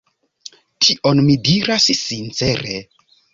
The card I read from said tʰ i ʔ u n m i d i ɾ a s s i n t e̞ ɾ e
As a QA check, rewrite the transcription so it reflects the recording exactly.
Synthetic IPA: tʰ i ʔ o n m i d i ɾ a s s i n t͡s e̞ ɾ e